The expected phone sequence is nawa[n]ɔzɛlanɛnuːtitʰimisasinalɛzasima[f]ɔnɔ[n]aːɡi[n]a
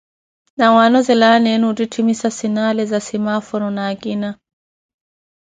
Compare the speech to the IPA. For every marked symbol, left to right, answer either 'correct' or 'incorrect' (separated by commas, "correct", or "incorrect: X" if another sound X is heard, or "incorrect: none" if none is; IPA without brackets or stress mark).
correct, correct, correct, correct